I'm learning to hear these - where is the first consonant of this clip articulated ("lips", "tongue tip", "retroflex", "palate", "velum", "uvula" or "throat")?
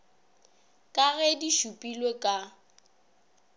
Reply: velum